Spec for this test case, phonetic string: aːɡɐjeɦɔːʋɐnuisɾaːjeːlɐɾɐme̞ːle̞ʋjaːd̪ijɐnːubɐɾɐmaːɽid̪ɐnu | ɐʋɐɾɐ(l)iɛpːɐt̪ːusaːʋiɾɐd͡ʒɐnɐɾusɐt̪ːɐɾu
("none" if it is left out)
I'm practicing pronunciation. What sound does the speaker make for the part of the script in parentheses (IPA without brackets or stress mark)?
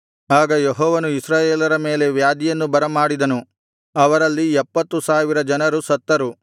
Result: lː